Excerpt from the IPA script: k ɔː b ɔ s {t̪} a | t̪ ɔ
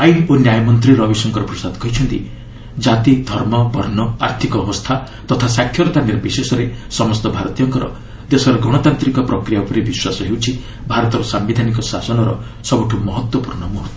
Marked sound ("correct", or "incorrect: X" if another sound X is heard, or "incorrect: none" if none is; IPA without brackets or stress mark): incorrect: t̪ʰ